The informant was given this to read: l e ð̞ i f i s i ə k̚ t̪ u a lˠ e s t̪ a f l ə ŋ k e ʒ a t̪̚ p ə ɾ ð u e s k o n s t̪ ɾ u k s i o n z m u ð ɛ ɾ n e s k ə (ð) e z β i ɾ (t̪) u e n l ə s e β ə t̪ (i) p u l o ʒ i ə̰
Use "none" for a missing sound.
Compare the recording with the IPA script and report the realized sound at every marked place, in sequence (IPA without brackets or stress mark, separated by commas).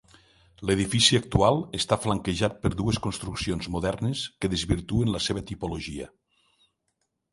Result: ð, t̪, i